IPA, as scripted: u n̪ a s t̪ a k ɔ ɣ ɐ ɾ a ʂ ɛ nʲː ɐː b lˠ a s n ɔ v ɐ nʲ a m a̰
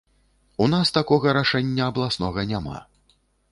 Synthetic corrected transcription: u n̪ a s t̪ a k ɔ ɣ ɐ ɾ a ʂ ɛ nʲː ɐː b lˠ a s n ɔ ɣ ɐ nʲ a m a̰